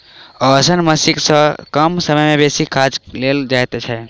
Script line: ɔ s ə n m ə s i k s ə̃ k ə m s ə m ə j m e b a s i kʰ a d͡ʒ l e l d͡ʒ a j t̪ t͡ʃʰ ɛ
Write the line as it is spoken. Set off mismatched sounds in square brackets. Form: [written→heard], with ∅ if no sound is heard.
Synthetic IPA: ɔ s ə n m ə s i k s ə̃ k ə m s ə m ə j m e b [a→e] s i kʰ a d͡ʒ l e l d͡ʒ a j t̪ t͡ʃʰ ɛ